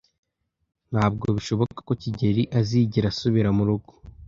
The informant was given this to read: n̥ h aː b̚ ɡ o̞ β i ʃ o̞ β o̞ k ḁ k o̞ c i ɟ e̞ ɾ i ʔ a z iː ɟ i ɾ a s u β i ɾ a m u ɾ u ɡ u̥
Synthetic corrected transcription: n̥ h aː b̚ ɡ o̞ β i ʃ o̞ β o̞ k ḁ k o̞ c i ɟ e̞ ɾ i ʔ a z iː ɟ i ɾ a s u β i ɾ a m u ɾ u ɡ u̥